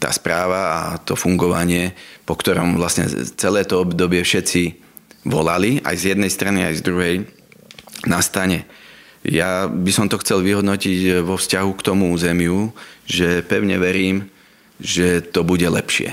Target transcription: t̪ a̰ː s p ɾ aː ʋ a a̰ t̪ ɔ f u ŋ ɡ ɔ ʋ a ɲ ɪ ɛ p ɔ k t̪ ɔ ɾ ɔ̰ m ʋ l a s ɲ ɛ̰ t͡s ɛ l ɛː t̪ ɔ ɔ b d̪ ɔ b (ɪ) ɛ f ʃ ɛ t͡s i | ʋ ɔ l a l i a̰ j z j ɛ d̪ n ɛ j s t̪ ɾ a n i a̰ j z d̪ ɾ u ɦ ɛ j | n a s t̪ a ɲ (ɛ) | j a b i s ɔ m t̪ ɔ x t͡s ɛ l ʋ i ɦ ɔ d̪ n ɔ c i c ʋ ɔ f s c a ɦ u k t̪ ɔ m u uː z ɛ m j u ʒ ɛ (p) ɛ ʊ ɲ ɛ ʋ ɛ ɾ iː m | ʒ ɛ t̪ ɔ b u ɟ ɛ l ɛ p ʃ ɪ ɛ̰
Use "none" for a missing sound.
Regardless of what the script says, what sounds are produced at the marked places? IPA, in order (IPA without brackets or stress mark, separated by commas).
ɪ, ɛ, p